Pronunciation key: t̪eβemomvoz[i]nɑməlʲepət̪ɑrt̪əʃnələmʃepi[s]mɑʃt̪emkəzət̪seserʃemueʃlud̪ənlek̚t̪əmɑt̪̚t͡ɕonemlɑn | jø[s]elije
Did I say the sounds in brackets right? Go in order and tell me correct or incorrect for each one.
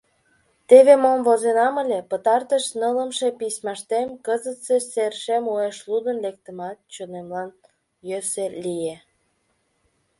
incorrect: e, correct, correct

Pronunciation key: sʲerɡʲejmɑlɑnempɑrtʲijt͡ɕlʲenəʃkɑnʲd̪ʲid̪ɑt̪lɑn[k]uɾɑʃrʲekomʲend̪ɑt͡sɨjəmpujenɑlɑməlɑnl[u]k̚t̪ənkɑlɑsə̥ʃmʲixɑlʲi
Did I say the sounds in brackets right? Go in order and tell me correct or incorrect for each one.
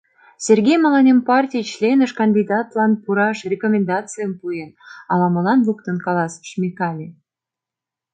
incorrect: p, correct

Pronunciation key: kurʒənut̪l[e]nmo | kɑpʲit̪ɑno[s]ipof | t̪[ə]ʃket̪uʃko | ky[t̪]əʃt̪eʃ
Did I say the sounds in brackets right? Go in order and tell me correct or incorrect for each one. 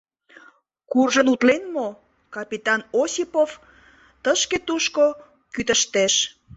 correct, correct, correct, correct

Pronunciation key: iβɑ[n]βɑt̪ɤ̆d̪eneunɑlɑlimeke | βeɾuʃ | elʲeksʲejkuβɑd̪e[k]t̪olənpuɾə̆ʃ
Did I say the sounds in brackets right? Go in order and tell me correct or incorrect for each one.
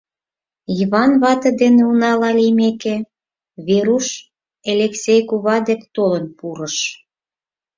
correct, correct

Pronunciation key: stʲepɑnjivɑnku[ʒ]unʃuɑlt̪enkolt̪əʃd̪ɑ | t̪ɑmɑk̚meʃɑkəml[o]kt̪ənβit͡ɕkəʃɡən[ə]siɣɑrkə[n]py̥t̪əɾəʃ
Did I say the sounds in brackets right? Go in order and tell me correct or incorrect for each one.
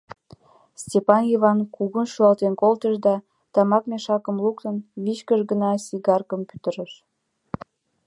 incorrect: ɣ, incorrect: u, incorrect: ɑ, incorrect: m

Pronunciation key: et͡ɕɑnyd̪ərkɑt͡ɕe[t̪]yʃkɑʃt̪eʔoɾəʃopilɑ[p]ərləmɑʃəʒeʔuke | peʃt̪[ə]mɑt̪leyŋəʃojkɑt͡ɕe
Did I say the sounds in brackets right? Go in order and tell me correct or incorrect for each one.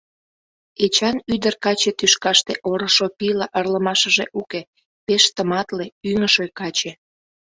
correct, incorrect: ʔ, correct

